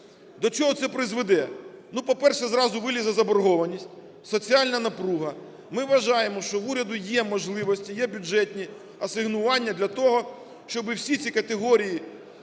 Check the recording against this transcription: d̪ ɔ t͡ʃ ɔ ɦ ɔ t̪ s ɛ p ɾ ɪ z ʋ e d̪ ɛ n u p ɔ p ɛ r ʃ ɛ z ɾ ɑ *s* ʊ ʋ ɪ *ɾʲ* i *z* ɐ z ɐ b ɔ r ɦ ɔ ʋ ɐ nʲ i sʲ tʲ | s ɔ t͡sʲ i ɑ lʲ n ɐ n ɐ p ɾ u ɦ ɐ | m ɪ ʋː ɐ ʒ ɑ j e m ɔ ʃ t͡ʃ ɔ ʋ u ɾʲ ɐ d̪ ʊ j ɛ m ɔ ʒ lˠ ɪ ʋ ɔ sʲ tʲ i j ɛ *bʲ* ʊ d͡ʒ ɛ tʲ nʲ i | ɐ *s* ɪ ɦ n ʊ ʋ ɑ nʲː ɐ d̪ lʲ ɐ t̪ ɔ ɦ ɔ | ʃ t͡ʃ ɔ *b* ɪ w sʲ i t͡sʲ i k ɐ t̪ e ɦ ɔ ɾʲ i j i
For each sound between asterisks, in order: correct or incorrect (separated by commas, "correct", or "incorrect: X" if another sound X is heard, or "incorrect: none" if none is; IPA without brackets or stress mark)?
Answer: incorrect: z, incorrect: lʲ, correct, correct, correct, correct